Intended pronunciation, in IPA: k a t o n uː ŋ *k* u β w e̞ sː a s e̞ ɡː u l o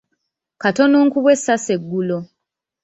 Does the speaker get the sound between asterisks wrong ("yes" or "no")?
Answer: no